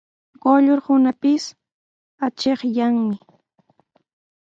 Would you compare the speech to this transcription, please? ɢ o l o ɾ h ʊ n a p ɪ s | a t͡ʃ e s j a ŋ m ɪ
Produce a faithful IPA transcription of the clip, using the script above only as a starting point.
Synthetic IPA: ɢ o ʎ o ɾ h ʊ n a p ɪ s | a t͡ʃ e χ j a ŋ m ɪ